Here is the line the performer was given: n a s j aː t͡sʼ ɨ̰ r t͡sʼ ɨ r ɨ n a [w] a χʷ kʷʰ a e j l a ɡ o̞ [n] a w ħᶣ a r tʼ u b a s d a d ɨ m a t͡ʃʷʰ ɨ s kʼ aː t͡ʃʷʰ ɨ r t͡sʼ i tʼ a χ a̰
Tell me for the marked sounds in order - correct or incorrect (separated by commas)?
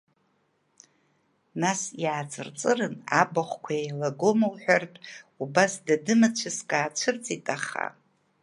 incorrect, incorrect